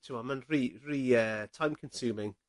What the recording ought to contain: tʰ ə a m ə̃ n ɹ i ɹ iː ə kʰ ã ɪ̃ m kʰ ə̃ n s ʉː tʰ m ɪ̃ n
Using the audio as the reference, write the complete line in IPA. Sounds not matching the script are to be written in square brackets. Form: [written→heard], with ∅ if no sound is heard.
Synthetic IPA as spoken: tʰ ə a m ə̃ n ɹ i ɹ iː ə [kʰ→tʰ] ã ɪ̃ m kʰ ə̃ n s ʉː [tʰ→∅] m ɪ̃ [n→ŋ]